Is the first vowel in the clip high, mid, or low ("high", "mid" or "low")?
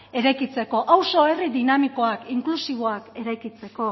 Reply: mid